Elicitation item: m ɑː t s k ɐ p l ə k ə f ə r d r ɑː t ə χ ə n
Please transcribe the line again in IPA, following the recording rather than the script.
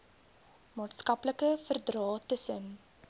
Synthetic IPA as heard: m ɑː t s k ɐ p l ə k ə f ə r d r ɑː t ə s ə n